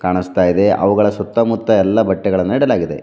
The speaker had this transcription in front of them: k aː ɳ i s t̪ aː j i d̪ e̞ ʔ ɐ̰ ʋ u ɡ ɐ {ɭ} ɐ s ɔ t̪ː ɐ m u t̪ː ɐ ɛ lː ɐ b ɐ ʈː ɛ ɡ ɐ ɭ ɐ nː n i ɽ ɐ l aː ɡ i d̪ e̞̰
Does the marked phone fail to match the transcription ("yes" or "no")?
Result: no